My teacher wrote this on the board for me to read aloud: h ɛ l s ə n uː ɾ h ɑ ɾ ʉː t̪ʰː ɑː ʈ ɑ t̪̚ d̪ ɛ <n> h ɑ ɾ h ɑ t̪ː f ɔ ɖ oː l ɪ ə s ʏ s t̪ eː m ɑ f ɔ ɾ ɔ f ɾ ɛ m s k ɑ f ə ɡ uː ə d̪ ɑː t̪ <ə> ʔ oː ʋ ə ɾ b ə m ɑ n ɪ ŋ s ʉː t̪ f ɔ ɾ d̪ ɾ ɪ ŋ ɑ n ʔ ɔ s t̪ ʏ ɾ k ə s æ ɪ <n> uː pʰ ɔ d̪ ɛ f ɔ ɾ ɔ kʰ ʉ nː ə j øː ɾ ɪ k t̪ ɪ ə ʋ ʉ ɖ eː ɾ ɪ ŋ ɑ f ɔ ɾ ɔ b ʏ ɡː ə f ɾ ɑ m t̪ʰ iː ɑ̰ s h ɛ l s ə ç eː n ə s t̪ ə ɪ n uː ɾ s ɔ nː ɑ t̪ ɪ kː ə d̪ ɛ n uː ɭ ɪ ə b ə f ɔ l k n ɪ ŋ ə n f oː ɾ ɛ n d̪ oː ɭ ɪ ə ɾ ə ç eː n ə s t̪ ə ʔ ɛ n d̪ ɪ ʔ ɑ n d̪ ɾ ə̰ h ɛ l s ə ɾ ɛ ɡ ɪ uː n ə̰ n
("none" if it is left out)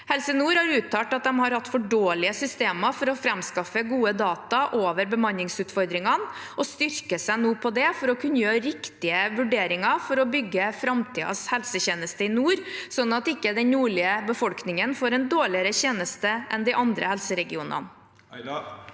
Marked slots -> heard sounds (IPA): m, ɑ, n

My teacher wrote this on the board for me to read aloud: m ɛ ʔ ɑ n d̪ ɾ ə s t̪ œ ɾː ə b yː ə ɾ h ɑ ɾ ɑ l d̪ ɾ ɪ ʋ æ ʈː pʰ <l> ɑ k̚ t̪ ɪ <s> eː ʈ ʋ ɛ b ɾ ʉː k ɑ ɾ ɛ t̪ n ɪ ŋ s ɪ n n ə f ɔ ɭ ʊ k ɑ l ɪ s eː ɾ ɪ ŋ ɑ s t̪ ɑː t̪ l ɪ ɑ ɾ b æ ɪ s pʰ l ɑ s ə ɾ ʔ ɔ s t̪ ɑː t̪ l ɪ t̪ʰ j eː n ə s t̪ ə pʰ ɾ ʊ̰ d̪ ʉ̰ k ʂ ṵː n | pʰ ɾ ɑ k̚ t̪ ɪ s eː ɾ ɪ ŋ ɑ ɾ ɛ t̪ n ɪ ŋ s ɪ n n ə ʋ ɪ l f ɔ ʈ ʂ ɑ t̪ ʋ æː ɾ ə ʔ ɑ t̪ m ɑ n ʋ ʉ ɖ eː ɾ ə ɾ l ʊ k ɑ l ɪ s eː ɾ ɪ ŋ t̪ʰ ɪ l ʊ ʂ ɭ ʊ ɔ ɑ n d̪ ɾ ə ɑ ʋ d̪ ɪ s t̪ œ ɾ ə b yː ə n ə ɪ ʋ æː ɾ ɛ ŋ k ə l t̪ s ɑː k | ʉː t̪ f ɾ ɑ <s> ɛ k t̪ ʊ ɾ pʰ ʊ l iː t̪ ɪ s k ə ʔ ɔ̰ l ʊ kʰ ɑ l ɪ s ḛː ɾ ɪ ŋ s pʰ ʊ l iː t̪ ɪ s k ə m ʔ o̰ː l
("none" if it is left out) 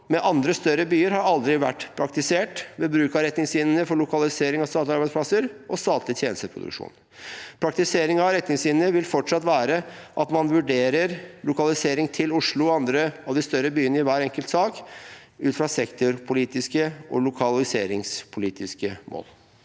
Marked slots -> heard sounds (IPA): ɾ, s, s

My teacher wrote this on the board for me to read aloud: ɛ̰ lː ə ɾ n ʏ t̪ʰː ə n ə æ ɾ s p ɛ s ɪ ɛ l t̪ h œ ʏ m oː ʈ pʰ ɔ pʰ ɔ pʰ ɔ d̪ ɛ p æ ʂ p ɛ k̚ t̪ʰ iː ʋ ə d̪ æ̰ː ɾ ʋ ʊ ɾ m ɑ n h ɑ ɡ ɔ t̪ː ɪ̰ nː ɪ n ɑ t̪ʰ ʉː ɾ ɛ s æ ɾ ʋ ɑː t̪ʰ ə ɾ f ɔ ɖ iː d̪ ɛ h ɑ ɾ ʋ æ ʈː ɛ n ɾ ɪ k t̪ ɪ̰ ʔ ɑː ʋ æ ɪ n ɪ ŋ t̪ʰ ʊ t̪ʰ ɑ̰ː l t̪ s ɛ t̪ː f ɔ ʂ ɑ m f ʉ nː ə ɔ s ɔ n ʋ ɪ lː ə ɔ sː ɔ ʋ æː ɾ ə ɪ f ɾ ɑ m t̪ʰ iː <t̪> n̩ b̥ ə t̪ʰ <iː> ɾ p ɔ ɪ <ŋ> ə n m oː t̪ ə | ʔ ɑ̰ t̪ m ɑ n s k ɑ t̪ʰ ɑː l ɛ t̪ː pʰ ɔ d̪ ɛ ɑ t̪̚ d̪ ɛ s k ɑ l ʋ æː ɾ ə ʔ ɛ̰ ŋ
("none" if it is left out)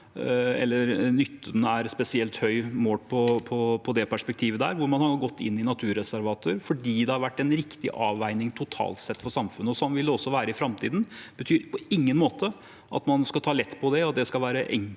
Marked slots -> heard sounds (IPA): d̪, yː, ŋː

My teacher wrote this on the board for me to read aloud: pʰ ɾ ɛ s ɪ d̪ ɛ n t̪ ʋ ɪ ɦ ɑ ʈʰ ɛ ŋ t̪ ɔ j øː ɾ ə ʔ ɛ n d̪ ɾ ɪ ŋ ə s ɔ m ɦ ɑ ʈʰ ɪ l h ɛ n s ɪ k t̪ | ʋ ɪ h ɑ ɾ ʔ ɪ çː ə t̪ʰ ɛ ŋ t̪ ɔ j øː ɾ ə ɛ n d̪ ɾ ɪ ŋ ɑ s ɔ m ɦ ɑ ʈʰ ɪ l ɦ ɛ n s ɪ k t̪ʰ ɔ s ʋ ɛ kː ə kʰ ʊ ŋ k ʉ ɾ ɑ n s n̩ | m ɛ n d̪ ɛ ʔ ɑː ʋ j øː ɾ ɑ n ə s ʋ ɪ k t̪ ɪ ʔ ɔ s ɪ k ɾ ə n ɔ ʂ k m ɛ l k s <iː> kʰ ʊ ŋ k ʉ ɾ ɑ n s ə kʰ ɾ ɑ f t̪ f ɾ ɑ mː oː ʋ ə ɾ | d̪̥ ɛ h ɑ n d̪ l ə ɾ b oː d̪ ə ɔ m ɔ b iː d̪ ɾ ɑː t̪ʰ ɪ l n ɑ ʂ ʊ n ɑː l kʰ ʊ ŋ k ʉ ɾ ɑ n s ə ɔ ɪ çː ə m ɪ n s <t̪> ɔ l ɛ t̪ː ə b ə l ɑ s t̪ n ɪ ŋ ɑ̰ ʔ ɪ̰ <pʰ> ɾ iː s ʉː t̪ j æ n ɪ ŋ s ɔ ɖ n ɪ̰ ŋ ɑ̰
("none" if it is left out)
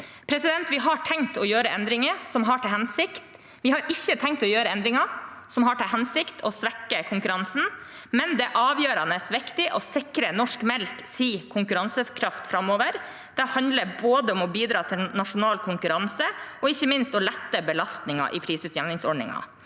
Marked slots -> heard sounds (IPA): iː, t̪, pʰ

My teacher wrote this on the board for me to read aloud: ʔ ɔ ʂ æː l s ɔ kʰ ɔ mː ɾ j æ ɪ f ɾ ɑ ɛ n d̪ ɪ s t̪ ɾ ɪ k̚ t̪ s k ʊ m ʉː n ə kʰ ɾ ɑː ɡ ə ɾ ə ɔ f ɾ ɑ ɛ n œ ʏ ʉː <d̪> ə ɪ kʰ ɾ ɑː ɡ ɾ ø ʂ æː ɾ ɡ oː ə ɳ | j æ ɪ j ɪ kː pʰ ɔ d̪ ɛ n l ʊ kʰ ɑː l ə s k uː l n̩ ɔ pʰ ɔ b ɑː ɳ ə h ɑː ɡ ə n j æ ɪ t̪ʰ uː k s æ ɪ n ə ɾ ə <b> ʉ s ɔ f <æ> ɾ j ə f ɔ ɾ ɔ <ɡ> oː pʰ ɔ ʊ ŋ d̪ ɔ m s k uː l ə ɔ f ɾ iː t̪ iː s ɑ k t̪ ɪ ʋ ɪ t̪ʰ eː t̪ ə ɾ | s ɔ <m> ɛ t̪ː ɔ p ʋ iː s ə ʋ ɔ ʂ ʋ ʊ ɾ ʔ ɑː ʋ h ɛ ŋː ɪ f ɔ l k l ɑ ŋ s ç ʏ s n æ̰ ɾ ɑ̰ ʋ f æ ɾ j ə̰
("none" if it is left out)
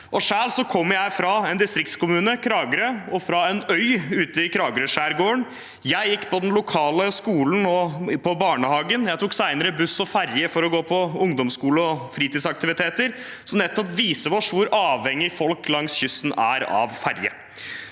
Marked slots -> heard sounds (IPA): t̪, b, æ, ɡ, n

